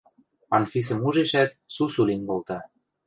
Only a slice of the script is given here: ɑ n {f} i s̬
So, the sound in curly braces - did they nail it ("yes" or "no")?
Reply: yes